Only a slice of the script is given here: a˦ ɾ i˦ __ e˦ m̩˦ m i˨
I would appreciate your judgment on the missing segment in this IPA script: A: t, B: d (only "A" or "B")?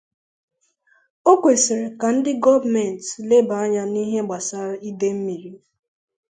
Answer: B